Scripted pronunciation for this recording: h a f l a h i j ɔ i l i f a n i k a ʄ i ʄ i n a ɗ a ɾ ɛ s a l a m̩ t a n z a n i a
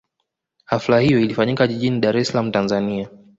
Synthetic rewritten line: h a f l a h i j ɔ i l i f a ɲ i k a ʄ i ʄ i n i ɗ a ɾ ɛ s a l a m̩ t a n z a n i a